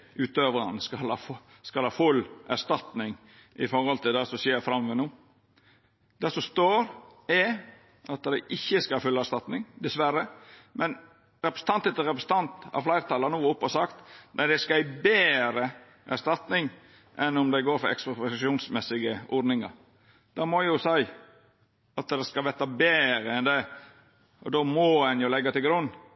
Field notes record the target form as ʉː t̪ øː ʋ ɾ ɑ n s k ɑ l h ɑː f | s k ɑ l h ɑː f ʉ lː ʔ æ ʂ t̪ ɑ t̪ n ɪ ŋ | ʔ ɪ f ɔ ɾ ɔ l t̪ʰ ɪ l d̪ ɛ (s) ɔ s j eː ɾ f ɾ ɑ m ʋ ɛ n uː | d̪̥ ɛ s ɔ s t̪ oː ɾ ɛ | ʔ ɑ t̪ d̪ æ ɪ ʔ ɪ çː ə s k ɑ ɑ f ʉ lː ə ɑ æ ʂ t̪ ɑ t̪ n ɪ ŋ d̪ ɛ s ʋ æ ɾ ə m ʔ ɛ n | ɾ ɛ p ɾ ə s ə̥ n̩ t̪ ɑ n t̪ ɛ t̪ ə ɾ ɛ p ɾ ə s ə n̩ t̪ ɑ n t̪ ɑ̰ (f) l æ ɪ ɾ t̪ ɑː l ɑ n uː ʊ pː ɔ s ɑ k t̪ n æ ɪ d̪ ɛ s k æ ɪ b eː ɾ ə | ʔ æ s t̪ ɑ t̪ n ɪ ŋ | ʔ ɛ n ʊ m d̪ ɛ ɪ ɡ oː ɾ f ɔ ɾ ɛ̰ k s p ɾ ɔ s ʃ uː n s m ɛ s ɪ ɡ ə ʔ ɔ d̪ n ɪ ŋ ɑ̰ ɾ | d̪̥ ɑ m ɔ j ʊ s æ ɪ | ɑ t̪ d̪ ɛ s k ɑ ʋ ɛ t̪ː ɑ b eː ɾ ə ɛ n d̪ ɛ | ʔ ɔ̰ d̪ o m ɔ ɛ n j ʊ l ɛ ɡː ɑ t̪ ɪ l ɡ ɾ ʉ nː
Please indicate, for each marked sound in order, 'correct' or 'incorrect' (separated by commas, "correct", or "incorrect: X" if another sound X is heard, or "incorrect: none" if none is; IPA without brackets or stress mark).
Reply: correct, correct